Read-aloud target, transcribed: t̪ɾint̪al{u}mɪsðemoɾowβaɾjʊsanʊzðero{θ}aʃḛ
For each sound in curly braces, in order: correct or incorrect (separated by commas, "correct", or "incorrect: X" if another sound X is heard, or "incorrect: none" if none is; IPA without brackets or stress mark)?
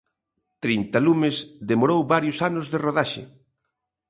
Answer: correct, incorrect: ð